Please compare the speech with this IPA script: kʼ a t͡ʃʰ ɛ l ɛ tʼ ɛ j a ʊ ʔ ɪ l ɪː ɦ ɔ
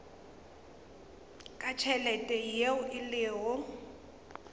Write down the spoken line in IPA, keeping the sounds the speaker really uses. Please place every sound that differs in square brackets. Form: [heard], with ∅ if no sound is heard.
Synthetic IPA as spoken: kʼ a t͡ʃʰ ɛ l ɛ tʼ ɛ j [e] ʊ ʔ ɪ l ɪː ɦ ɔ